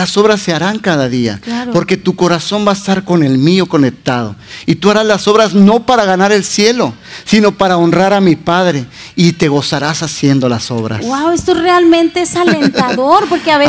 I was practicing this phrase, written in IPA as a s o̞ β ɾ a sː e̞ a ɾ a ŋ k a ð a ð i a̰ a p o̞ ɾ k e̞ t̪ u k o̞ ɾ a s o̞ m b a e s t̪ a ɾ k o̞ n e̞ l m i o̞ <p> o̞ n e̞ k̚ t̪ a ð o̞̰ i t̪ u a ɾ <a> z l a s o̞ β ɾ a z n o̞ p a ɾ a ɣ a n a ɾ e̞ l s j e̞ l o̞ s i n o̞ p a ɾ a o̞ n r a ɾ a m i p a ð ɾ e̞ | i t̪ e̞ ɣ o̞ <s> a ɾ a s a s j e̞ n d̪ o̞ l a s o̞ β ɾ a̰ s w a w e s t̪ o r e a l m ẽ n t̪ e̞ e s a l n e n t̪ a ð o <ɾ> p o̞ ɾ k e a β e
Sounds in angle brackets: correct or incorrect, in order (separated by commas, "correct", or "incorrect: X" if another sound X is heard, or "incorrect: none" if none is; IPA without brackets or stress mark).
incorrect: k, correct, correct, correct